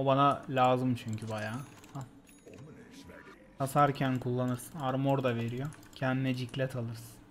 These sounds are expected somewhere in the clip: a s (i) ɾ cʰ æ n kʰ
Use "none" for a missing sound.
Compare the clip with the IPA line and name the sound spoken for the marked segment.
a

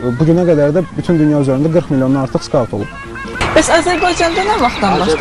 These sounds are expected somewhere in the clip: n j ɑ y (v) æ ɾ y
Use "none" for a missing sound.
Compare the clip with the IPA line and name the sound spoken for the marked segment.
z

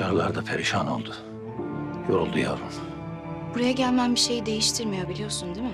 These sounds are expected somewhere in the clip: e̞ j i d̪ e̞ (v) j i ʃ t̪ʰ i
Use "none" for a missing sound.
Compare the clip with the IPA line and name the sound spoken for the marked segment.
none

